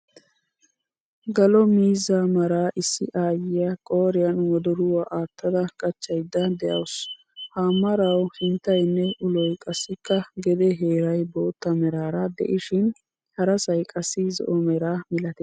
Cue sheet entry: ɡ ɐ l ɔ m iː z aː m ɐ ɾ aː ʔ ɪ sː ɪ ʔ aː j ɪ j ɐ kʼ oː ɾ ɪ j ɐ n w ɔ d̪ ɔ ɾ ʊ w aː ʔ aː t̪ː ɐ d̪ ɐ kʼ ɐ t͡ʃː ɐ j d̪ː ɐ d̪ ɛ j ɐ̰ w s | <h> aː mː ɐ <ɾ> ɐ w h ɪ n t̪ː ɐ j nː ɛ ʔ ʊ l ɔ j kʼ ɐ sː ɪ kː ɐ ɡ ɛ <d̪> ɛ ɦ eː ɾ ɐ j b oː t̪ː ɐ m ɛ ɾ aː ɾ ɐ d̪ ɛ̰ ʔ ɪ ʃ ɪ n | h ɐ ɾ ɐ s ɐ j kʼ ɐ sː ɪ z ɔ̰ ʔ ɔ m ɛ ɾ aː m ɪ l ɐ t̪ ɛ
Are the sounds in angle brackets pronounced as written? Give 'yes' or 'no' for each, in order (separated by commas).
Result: yes, yes, yes